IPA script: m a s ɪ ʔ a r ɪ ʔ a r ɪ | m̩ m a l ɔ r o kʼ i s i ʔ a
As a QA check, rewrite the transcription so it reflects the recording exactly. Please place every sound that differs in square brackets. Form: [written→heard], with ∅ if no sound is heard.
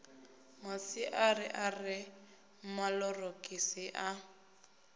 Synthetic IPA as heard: m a s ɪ ʔ a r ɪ ʔ a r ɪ | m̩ m a l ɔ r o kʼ i s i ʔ a

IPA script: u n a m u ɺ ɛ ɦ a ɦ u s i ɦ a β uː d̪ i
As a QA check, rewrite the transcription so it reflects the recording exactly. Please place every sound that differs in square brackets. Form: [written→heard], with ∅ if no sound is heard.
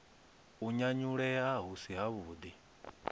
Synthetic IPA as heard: u [n→ɲ] a [m→ɲ] u ɺ ɛ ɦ a ɦ u s i ɦ a β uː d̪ i

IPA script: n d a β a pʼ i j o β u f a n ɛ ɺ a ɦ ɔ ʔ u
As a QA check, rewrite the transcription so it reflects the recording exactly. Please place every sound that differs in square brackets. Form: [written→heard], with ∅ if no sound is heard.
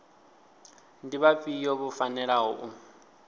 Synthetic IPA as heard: n d [a→i] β a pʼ i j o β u f a n ɛ ɺ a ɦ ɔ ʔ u

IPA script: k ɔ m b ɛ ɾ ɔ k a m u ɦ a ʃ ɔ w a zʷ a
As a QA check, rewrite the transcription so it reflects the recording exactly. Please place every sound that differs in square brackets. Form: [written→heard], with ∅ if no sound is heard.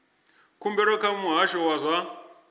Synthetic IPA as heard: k [ɔ→u] m b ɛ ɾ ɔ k a m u ɦ a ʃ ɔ w a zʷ a

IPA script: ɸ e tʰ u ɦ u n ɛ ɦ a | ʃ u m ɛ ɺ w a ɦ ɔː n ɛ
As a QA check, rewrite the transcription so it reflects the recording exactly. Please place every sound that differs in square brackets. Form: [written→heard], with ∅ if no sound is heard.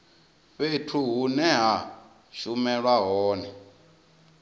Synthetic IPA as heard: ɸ e tʰ u ɦ u n ɛ ɦ a | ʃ u m ɛ ɺ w a ɦ ɔː n ɛ

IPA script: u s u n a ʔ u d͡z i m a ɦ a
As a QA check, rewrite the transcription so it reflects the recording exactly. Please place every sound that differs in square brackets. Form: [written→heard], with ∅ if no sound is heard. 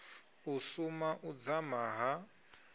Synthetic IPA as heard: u s u [n→m] a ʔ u d͡z [i→a] m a ɦ a

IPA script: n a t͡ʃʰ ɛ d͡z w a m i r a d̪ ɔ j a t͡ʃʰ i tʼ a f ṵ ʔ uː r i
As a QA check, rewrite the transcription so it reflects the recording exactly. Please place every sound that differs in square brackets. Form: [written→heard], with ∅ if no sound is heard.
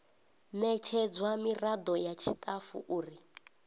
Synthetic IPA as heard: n [a→ɛ] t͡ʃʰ ɛ d͡z w a m i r a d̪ ɔ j a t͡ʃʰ i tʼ a f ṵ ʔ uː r i

